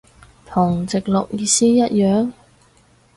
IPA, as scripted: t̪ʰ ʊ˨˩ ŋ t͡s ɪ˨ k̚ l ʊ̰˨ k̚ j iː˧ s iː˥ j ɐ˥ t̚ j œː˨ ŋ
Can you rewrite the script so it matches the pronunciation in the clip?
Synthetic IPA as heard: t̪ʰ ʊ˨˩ ŋ t͡s ɪ˨ k̚ l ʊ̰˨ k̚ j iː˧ s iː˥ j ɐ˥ t̚ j œː˨ ŋ